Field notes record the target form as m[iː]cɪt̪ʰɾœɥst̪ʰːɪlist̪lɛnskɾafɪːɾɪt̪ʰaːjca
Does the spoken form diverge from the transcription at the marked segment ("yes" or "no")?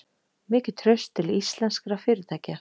yes